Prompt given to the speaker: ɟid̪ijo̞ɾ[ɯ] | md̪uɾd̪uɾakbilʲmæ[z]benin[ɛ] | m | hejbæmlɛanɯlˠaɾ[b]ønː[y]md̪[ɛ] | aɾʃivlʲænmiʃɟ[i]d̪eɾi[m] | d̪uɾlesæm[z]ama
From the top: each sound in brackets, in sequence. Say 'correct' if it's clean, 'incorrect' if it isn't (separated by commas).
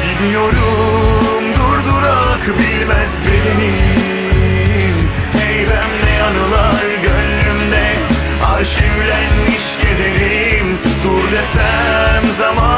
incorrect, correct, incorrect, incorrect, correct, correct, incorrect, correct, correct